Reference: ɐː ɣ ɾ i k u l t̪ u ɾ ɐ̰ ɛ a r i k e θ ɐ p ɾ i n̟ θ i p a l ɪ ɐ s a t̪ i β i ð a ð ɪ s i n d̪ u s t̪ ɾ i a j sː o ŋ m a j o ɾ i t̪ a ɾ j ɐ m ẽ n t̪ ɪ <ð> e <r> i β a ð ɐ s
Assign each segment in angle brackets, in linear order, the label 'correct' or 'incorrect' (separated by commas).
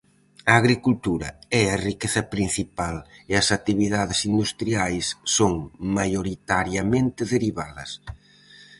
correct, incorrect